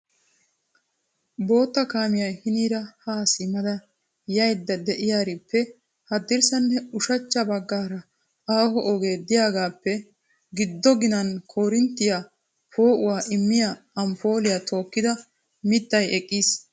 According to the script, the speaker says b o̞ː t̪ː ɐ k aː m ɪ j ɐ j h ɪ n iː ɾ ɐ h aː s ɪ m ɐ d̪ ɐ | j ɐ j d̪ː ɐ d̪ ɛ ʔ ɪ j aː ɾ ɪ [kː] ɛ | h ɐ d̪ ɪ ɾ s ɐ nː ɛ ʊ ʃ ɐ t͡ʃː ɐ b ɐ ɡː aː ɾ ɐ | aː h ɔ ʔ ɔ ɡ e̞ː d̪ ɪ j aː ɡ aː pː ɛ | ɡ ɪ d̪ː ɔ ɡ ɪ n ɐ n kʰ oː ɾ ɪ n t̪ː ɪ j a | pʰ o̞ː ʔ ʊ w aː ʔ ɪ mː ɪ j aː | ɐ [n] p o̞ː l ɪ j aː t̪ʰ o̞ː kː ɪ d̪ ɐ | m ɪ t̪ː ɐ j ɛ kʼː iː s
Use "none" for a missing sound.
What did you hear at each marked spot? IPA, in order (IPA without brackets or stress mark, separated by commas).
pː, m